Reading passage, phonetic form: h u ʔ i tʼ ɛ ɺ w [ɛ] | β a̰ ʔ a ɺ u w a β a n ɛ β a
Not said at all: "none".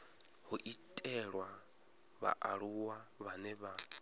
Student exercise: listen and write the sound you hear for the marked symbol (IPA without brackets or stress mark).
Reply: a